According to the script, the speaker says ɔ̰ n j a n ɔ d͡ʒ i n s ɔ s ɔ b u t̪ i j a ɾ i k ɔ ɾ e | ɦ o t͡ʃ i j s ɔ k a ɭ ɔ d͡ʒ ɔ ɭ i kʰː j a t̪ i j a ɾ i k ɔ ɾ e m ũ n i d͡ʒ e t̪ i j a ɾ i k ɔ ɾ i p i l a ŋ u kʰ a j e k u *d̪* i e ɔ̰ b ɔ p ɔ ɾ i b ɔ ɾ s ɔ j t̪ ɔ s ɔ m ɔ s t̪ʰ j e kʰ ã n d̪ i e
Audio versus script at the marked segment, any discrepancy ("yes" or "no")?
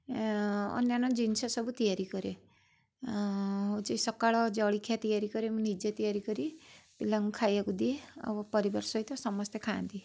no